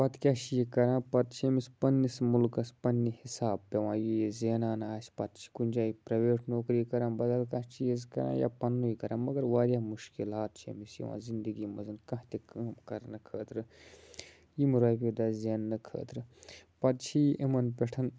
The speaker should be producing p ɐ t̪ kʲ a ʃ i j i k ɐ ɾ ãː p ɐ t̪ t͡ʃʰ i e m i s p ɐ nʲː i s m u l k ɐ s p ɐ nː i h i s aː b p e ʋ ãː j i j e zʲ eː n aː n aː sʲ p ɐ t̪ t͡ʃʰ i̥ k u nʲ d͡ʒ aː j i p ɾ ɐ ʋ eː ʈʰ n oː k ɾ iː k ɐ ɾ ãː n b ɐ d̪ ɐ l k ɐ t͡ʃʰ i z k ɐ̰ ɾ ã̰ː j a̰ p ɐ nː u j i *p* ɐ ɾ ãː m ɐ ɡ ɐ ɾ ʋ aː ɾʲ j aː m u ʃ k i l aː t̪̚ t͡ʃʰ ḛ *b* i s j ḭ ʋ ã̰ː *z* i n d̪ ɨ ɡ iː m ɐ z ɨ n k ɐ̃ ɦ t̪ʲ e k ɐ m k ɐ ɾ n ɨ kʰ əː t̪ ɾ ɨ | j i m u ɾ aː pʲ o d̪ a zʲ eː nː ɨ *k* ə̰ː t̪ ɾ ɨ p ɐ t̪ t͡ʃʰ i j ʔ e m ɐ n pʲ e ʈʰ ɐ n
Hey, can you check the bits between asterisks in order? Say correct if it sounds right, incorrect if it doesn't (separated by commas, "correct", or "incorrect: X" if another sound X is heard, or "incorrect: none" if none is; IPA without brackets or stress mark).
incorrect: k, incorrect: m, correct, incorrect: kʰ